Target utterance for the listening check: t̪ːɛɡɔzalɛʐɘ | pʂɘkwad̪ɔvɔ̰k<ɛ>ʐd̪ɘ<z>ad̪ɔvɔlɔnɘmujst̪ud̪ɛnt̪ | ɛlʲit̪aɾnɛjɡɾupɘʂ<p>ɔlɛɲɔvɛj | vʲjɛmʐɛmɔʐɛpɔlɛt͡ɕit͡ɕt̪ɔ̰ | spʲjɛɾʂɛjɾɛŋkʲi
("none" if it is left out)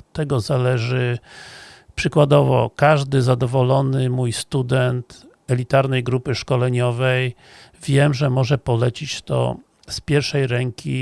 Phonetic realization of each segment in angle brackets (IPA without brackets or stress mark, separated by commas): a, z, k